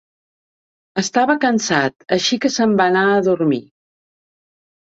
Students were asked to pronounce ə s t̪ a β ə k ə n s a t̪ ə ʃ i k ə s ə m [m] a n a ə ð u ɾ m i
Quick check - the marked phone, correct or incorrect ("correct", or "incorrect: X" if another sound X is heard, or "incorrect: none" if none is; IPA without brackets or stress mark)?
incorrect: b